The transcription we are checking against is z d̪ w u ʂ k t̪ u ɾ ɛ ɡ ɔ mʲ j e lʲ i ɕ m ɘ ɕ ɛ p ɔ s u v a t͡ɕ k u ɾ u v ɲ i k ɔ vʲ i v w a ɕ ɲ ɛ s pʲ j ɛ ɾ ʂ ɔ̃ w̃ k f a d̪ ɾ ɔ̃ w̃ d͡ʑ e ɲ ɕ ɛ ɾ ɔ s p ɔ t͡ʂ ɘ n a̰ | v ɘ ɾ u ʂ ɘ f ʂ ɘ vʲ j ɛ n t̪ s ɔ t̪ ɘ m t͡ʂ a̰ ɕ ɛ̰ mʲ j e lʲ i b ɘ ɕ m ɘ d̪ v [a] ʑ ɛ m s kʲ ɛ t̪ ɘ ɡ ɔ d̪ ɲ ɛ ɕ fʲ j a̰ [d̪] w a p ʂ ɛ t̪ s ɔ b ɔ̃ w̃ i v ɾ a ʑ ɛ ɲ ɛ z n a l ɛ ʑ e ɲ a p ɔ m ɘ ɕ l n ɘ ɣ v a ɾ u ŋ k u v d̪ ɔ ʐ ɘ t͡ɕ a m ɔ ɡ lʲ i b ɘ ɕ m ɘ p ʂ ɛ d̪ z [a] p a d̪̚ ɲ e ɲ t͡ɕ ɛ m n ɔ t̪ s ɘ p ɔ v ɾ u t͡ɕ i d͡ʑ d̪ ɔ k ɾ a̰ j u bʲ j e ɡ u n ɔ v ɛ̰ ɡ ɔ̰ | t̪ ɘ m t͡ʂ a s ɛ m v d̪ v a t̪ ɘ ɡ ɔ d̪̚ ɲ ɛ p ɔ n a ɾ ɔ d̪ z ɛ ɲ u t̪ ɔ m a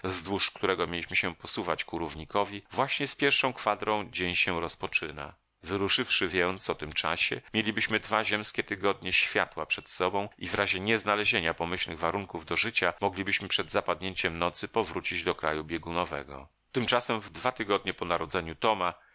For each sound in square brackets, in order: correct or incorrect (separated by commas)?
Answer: correct, incorrect, correct